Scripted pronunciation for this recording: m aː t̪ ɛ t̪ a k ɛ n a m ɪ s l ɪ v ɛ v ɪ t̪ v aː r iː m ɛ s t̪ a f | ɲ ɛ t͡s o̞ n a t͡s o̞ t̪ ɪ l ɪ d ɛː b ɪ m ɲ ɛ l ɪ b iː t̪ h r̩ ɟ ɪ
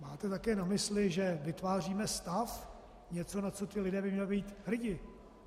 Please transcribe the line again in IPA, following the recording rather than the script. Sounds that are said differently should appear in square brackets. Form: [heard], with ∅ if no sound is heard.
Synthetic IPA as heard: m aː t̪ ɛ t̪ a k [ɛː] n a m ɪ s l ɪ [ʒ] ɛ v ɪ t̪ v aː r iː m ɛ s t̪ a f | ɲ ɛ t͡s o̞ n a t͡s o̞ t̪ ɪ l ɪ d ɛː b ɪ m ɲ ɛ l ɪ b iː t̪ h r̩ ɟ ɪ